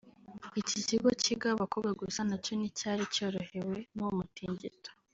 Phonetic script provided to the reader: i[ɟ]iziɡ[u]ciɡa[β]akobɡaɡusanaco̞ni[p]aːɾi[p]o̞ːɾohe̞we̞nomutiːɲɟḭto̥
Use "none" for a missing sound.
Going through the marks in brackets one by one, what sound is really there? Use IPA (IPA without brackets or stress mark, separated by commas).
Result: c, o, β, c, c